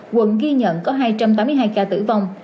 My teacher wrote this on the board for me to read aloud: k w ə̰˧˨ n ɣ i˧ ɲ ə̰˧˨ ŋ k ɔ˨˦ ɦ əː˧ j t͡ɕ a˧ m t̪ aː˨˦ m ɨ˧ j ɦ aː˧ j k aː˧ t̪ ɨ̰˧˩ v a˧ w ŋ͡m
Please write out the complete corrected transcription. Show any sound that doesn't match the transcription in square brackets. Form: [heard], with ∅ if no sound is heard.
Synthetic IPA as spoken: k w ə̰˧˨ n ɣ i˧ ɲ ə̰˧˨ [n] k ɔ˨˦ ɦ [aː˧] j t͡ɕ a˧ m t̪ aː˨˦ m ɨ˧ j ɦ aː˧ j k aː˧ t̪ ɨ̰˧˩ v a˧ w ŋ͡m